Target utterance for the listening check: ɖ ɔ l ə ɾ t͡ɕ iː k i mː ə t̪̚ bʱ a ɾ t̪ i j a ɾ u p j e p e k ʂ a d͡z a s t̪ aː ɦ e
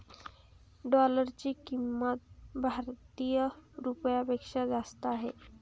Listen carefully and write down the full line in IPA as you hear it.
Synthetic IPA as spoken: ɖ ɔ l ə ɾ t͡ɕ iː k i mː ə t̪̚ bʱ a ɾ t̪ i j ə ɾ u p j a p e k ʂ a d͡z a s t̪ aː ɦ e